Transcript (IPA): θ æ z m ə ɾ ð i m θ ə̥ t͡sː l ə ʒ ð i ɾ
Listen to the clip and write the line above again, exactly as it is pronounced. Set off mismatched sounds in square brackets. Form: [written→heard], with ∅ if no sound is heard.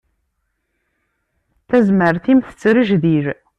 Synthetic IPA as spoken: θ æ z m ə ɾ [ð→θ] i m θ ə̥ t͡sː [l→ɾ] ə ʒ ð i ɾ